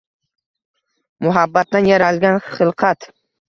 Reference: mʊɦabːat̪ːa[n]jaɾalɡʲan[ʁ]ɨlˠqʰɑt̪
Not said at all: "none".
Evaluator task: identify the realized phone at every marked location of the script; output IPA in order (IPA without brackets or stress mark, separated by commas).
n, χ